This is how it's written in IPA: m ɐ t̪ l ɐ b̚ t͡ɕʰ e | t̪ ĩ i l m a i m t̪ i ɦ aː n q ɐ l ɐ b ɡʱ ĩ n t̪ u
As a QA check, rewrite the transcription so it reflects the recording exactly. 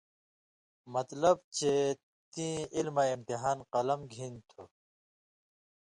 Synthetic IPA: m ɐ t̪ l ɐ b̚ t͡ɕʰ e | t̪ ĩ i l m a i m t̪ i ɦ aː n q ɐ l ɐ m ɡʱ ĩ n t̪ʰ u